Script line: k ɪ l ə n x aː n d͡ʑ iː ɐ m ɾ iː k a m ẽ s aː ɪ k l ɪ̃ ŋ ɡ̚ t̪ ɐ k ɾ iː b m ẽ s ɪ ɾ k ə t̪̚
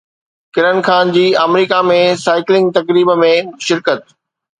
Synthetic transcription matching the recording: k ɪ ɾ ə n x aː n d͡ʑ iː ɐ m ɾ iː k a m ẽ s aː ɪ k l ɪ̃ ŋ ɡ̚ t̪ ɐ k ɾ iː b m ẽ ʃ ɪ ɾ k ə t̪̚